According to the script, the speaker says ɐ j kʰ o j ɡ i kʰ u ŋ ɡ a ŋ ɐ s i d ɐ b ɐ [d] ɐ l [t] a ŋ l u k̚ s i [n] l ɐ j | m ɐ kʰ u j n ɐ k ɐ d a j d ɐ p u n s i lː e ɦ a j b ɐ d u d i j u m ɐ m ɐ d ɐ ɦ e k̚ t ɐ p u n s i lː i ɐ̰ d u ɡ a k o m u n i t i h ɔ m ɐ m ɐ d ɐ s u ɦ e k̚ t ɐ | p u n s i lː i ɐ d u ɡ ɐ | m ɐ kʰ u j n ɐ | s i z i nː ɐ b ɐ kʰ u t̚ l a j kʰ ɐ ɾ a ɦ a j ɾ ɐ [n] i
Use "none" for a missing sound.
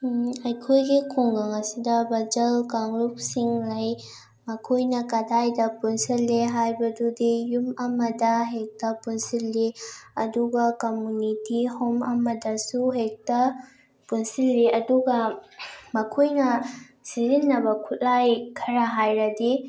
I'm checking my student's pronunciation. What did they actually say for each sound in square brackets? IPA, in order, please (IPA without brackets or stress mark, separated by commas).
d͡ʒ, k, ŋ, d